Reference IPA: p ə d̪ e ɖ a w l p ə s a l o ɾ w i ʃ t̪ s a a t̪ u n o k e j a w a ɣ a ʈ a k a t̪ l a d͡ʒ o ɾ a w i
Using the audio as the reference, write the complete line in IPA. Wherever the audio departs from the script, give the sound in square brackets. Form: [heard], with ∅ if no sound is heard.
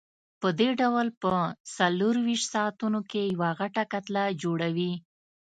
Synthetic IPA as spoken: p ə d̪ e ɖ a w l p ə s a l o ɾ w i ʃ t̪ s [ɑ] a t̪ u n o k e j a w a ɣ a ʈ a k a t̪ l a d͡ʒ o [ɽ] a w i